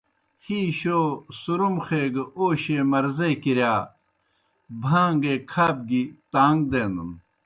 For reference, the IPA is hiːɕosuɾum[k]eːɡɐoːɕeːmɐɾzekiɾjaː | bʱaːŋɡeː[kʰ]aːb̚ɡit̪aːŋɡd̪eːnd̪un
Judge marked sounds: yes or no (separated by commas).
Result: no, yes